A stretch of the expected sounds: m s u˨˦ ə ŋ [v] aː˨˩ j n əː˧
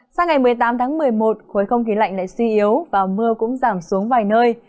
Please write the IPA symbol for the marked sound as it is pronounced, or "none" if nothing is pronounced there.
v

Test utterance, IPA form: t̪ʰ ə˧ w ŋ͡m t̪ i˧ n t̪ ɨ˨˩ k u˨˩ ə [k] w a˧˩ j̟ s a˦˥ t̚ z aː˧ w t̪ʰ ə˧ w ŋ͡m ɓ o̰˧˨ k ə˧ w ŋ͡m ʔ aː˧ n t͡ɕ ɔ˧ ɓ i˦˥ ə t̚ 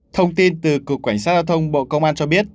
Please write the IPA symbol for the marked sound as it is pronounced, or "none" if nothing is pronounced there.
k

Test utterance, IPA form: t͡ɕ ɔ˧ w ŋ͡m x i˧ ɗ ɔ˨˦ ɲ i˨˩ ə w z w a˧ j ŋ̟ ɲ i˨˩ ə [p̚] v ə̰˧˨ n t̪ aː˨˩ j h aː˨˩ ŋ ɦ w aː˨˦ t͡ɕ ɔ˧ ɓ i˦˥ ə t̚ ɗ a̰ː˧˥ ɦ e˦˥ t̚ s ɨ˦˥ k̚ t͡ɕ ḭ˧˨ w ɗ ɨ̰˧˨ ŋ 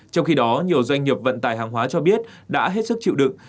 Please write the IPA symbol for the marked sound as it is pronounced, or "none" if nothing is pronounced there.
p̚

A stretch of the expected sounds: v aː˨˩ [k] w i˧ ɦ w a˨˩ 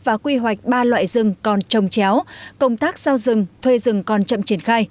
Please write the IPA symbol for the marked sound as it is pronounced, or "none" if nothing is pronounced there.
k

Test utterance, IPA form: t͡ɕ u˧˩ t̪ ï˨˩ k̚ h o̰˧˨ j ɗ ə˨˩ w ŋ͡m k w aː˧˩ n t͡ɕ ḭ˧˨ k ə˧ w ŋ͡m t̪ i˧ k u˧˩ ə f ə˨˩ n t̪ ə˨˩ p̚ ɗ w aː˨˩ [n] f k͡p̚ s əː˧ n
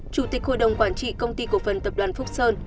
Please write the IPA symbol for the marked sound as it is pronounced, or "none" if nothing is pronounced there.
n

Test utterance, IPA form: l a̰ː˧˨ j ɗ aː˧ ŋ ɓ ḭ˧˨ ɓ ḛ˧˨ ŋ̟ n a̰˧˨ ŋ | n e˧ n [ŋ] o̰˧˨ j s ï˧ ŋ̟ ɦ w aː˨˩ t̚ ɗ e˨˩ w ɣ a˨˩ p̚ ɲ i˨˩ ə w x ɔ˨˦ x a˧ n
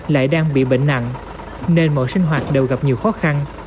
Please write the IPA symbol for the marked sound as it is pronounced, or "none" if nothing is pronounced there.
m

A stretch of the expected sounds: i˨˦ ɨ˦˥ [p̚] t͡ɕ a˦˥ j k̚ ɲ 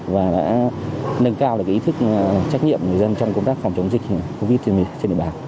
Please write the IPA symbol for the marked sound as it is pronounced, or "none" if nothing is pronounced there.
k̚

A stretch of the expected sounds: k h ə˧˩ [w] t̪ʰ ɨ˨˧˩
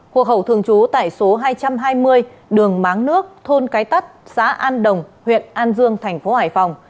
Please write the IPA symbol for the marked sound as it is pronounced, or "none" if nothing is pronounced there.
w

